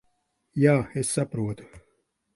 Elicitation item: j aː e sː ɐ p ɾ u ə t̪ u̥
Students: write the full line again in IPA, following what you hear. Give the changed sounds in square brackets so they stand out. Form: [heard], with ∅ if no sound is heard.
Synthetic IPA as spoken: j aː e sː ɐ p ɾ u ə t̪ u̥